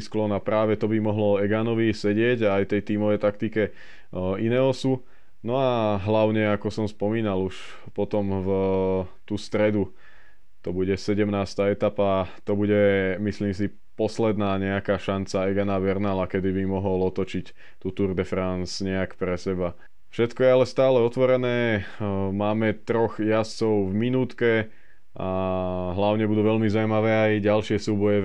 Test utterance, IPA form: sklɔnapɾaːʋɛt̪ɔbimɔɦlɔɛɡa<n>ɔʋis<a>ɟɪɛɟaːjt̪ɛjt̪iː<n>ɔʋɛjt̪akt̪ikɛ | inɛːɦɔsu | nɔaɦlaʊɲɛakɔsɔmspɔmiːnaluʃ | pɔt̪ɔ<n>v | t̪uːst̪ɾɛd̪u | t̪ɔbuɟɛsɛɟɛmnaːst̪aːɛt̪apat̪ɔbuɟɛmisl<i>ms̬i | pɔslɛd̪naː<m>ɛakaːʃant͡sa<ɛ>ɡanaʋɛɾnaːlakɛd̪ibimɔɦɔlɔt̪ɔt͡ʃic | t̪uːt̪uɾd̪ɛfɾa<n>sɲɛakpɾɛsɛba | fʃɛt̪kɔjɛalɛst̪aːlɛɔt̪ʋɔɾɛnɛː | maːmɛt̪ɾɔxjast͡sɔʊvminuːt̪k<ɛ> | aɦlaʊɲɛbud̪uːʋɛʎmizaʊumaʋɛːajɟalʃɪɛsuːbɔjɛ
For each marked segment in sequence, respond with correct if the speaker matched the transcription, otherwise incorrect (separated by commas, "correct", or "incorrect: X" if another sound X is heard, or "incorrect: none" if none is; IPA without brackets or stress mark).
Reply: correct, incorrect: ɛ, incorrect: m, incorrect: m, incorrect: iː, incorrect: ɲ, correct, correct, correct